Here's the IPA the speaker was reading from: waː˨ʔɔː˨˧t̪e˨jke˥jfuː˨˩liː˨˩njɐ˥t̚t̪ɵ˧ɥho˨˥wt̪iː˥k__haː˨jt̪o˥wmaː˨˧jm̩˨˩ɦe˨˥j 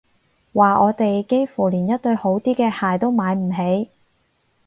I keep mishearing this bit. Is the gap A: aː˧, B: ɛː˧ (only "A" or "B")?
B